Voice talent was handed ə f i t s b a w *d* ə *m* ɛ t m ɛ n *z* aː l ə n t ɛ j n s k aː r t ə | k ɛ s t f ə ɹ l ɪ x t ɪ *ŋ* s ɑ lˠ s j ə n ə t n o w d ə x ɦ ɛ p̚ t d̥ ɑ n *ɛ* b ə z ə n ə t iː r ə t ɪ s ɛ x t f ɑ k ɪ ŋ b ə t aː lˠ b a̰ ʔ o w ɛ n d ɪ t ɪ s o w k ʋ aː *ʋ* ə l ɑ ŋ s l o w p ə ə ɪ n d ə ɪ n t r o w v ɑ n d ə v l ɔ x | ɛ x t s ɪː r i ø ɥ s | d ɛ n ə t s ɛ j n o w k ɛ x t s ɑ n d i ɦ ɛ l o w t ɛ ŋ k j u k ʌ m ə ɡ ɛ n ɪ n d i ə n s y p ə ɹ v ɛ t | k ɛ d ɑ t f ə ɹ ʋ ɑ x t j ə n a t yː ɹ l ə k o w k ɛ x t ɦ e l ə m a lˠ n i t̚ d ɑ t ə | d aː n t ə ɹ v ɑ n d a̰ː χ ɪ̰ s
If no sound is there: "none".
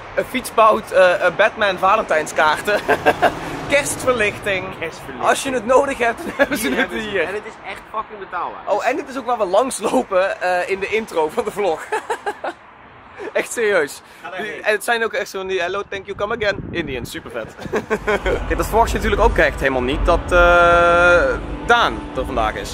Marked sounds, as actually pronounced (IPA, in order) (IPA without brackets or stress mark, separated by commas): t, b, v, ŋ, ɛ, ʋ